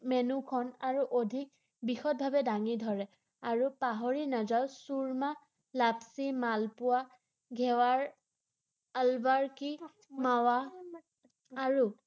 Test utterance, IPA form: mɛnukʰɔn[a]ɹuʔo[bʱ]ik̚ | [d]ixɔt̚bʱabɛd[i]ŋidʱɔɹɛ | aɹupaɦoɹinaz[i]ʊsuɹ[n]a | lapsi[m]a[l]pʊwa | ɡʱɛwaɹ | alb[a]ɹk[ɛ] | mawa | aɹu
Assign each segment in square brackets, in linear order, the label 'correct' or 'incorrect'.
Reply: correct, incorrect, incorrect, incorrect, incorrect, incorrect, correct, correct, correct, incorrect

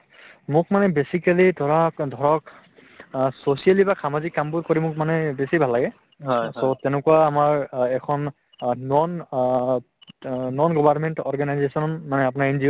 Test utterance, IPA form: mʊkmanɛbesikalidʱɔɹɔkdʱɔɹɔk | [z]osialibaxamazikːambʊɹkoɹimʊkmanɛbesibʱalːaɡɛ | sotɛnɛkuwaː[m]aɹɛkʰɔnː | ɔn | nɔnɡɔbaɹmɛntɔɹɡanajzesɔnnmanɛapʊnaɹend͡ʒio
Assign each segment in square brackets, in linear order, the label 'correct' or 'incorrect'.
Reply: incorrect, correct

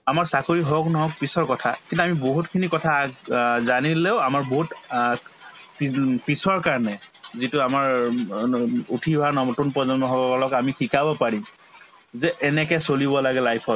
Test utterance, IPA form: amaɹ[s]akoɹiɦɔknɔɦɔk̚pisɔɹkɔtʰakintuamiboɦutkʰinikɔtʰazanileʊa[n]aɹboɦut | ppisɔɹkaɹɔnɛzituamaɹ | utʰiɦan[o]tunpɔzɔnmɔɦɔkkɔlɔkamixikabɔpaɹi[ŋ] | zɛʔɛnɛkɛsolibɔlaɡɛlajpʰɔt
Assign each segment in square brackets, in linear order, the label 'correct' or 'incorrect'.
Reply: correct, incorrect, incorrect, incorrect

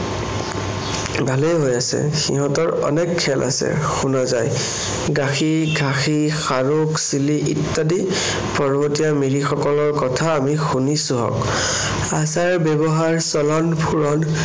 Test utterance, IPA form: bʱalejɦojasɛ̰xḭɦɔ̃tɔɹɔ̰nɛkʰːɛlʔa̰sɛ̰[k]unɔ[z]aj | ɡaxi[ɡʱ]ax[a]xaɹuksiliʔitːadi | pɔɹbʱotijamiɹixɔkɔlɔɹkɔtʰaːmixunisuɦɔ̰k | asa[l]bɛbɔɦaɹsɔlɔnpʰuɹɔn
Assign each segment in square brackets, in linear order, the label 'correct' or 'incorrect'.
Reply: incorrect, correct, correct, incorrect, incorrect

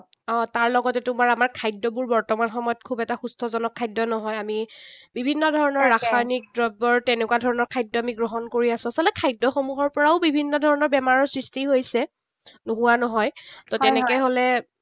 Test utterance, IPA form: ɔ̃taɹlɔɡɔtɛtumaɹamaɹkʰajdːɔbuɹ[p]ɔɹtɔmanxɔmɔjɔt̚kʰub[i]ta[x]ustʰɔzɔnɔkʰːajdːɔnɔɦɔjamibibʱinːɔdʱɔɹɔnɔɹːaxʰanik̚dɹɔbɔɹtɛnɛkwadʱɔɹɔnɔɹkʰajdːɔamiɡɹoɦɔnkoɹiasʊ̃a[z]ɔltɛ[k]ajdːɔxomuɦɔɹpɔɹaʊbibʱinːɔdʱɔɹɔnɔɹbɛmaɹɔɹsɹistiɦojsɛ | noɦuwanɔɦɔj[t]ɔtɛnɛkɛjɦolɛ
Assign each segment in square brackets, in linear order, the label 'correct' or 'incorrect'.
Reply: incorrect, incorrect, correct, incorrect, incorrect, correct

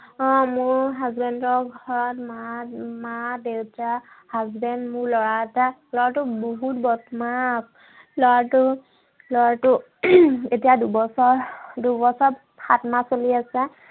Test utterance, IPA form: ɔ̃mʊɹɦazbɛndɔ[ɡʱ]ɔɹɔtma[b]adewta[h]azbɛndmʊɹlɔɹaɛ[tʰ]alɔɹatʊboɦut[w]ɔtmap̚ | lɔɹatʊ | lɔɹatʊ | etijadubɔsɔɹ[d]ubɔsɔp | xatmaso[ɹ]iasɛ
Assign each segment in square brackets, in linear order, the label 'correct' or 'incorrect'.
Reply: correct, incorrect, correct, incorrect, incorrect, correct, incorrect

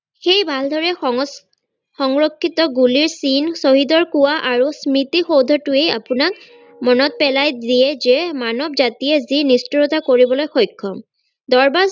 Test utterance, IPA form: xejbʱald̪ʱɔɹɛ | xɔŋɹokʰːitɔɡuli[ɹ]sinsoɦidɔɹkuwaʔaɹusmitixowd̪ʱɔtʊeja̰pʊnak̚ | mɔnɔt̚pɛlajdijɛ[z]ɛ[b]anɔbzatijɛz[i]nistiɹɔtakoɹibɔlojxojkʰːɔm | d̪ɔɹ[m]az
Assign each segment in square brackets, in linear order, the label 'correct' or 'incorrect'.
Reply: correct, correct, incorrect, correct, incorrect

